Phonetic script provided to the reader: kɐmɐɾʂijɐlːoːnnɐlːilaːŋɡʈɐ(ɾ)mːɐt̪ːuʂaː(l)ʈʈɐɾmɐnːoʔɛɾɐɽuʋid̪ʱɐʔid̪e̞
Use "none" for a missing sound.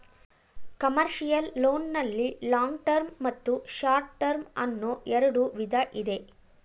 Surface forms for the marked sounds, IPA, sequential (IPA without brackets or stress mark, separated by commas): ɾ, ɾ